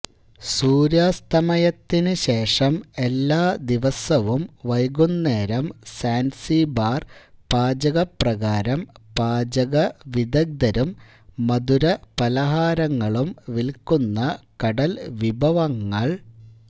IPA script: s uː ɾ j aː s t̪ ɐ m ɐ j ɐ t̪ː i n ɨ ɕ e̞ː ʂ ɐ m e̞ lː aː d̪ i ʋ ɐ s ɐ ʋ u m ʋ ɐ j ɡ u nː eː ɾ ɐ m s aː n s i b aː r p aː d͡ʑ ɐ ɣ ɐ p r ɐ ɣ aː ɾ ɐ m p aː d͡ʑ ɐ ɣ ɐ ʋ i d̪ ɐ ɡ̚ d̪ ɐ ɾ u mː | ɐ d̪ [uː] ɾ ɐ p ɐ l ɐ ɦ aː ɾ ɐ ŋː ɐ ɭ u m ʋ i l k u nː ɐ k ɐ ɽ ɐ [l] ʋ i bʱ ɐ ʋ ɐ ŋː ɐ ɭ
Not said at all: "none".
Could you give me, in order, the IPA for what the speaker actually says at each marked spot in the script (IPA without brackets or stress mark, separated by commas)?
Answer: u, l